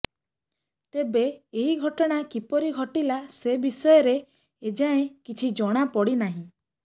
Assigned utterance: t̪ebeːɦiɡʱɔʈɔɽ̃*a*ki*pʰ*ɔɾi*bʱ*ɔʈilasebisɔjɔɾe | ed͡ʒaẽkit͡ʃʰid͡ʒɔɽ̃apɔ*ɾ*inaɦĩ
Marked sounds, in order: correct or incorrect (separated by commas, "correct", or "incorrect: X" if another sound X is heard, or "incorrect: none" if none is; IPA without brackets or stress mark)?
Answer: correct, incorrect: p, incorrect: ɡʱ, incorrect: ɽ